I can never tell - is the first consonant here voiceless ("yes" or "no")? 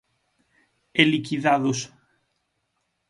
no